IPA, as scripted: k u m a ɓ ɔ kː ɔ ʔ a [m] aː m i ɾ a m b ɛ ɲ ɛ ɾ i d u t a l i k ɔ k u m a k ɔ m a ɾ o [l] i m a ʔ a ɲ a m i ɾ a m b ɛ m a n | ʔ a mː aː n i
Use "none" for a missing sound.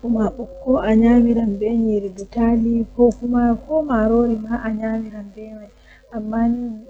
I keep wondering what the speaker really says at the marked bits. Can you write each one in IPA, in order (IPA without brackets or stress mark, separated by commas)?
ɲ, ɾ